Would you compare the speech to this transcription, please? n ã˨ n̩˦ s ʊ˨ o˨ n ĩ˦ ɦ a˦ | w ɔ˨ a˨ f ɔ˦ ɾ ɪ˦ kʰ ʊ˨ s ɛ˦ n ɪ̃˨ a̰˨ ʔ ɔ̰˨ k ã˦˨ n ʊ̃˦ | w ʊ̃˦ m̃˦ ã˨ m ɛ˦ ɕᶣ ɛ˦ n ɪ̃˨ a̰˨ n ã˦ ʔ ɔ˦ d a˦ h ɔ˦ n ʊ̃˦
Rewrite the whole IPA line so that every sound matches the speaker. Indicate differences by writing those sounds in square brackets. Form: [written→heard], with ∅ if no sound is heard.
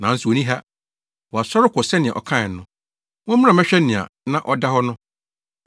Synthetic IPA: n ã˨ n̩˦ s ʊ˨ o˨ n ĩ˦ ɦ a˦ | w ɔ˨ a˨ [f→s] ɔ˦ ɾ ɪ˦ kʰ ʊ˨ s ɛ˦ n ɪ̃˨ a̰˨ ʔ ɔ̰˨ [k→kʰ] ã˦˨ n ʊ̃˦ | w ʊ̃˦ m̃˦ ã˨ m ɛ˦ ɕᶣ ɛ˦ n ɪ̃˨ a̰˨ n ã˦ ʔ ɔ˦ d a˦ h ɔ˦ n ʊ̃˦